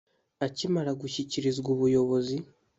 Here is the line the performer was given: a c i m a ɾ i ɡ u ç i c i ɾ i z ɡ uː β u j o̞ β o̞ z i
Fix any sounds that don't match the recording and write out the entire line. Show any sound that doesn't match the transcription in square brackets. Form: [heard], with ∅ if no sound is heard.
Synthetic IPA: a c i m a ɾ [a] ɡ u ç i c i ɾ i z ɡ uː β u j o̞ β o̞ z i